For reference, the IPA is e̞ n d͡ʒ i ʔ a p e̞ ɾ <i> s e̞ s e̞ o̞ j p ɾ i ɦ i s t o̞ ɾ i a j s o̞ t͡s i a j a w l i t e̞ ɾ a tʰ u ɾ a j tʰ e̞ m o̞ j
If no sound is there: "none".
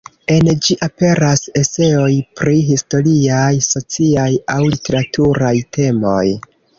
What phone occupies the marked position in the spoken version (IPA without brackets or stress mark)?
a